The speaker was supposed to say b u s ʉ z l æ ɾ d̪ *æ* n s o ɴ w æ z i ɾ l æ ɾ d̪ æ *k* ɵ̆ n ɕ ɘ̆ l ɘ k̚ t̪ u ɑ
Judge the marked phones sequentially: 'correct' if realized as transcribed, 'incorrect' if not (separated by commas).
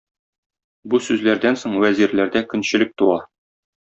correct, correct